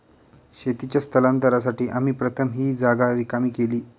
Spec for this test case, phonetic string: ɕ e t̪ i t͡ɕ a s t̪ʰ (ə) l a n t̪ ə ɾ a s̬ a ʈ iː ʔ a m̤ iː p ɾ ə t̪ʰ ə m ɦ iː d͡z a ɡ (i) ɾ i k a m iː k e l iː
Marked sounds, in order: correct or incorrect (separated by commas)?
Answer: correct, incorrect